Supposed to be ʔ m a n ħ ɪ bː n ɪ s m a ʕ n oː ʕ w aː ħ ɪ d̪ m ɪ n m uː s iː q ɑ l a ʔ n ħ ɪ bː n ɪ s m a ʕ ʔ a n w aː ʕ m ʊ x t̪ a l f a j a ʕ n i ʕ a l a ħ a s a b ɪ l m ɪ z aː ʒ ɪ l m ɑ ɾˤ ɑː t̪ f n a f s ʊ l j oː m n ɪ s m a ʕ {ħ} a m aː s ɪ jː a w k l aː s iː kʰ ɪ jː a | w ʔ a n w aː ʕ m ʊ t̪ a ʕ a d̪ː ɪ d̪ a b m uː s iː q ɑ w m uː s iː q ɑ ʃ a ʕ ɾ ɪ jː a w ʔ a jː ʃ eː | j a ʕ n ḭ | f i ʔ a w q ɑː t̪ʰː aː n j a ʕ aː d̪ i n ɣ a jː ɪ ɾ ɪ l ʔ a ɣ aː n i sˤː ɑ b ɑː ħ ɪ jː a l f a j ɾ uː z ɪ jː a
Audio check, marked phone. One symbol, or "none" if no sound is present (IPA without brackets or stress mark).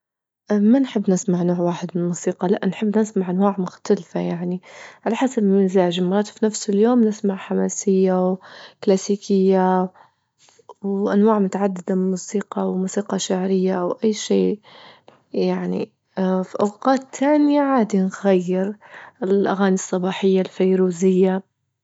ħ